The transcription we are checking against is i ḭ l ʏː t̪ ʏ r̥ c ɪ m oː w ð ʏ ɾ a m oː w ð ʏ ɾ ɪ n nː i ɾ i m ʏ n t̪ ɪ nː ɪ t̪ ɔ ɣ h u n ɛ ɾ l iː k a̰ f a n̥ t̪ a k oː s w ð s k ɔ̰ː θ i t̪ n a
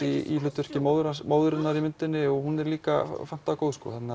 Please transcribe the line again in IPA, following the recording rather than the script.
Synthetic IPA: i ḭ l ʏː t̪ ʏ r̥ c ɪ m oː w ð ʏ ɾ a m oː w ð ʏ ɾ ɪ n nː a ɾ i m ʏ n t̪ ɪ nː ɪ ɔ ɣ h u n ɛ ɾ l iː k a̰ f a n̥ t̪ a k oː w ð s k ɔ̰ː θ ɛ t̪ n a